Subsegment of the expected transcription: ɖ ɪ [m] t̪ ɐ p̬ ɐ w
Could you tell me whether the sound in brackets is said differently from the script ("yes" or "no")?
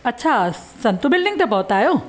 yes